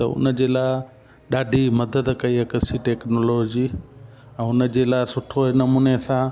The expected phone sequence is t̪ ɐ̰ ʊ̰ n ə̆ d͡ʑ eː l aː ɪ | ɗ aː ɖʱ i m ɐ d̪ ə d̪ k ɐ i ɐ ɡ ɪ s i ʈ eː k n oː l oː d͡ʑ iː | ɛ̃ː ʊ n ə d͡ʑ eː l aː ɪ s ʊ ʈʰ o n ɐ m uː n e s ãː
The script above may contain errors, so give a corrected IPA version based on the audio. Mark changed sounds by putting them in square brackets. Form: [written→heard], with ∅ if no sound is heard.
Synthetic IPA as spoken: t̪ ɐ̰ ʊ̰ n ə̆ d͡ʑ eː l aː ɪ | ɗ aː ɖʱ i m ɐ d̪ ə d̪ k ɐ i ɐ [ɡ→k] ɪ s i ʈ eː k n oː l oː d͡ʑ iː | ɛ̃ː ʊ n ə d͡ʑ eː l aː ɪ s ʊ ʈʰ o n ɐ m uː n e s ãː